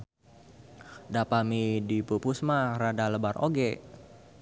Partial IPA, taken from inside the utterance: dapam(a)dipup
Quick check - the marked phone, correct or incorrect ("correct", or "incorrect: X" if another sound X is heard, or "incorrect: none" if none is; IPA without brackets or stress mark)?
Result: incorrect: i